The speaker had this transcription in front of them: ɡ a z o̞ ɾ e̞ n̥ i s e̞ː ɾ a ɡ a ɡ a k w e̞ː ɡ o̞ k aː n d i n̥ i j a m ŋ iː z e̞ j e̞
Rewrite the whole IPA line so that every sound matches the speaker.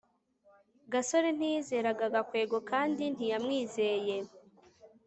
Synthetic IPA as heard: ɡ a s o̞ ɾ e̞ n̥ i z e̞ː ɾ a ɡ a ɡ a k w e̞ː ɡ o̞ k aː n d i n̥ i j a m ŋ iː z e̞ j e̞

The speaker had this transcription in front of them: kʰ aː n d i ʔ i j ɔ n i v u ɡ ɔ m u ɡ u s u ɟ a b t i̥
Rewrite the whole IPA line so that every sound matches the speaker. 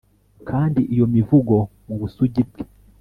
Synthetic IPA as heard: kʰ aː n d i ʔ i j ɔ m i v u ɡ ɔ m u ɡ u s u ɟ i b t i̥

